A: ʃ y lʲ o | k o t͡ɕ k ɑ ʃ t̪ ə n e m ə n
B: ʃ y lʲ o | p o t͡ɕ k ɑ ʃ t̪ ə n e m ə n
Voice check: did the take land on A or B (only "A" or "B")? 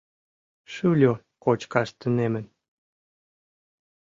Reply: A